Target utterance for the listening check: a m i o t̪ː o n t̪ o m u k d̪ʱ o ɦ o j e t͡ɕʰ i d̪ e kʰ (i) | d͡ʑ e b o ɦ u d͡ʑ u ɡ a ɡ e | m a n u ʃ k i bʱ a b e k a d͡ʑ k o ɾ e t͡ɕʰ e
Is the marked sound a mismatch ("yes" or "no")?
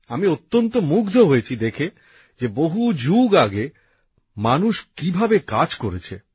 yes